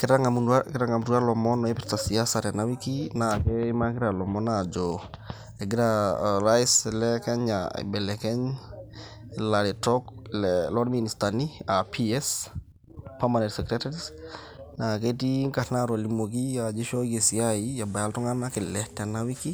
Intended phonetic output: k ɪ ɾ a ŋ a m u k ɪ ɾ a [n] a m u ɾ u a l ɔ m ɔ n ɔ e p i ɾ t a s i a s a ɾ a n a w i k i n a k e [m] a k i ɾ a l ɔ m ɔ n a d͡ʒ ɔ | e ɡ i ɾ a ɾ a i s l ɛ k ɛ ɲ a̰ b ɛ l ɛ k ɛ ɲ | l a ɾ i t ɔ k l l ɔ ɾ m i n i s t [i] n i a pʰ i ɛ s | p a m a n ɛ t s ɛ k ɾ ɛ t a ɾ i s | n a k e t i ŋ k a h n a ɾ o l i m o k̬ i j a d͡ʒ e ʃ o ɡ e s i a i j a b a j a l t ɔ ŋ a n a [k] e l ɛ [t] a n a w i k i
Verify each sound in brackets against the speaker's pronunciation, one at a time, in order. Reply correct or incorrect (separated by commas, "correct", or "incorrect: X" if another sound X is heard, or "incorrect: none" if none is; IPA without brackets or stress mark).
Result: incorrect: ŋ, correct, incorrect: a, correct, correct